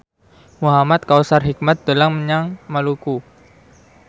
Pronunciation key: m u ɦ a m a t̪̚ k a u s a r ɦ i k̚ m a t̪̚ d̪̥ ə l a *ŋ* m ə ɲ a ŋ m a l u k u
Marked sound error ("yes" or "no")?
no